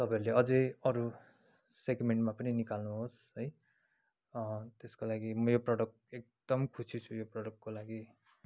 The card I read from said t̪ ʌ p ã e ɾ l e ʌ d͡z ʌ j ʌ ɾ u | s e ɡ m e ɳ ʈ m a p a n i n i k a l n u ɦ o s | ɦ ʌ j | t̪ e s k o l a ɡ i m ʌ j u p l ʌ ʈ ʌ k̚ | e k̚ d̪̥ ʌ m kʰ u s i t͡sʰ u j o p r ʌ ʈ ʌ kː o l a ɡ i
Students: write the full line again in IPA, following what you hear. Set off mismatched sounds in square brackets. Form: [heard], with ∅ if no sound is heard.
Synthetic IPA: t̪ ʌ p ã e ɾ l e ʌ d͡z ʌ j ʌ ɾ u | s e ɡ m e ɳ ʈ m a p [ʌ] n i n i k a l n u ɦ o s | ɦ ʌ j | t̪ e s k o l a ɡ i m ʌ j [o] p [r] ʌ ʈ ʌ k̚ | e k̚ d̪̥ ʌ m kʰ u s i t͡sʰ u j o p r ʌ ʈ ʌ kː o l a ɡ i